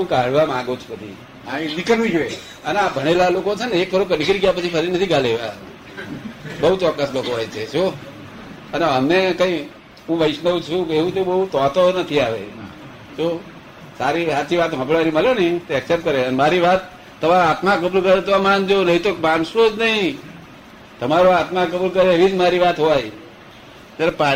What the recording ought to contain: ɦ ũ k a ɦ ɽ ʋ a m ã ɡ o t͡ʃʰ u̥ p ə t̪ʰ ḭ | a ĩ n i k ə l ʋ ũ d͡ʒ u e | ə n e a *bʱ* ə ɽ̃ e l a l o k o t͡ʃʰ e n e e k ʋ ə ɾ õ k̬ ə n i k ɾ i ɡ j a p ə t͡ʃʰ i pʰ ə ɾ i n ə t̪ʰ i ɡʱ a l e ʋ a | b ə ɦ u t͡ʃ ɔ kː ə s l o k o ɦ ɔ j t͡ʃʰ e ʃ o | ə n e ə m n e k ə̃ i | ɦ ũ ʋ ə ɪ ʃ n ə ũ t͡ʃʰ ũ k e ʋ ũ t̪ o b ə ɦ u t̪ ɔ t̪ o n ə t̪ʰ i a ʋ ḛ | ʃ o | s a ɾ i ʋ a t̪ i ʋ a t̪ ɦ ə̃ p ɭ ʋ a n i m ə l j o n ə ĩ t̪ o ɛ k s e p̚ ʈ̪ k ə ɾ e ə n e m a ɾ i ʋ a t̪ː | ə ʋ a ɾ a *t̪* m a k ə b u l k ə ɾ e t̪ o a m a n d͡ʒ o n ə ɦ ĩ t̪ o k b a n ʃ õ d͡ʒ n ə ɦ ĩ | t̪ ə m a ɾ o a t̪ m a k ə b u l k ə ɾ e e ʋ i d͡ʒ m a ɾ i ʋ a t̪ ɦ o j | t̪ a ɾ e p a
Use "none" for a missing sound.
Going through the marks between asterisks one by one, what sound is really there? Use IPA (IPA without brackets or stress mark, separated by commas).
bʱ, t̪